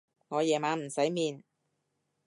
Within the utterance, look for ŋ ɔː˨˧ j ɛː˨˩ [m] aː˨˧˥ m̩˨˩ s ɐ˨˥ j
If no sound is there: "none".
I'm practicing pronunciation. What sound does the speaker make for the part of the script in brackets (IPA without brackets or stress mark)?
m